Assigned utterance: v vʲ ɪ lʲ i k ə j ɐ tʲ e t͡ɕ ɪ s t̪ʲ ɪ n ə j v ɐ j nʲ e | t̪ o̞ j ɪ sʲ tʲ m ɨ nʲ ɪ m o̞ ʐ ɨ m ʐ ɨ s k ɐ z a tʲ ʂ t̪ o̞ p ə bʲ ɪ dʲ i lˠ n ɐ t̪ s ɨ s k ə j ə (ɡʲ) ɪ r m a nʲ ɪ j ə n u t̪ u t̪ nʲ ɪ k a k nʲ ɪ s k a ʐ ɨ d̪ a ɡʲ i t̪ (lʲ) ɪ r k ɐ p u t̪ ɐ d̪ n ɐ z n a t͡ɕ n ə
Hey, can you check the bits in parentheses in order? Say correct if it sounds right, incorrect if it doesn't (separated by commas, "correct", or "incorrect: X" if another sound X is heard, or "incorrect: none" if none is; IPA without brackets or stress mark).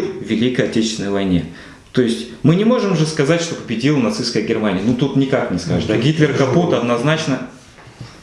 correct, correct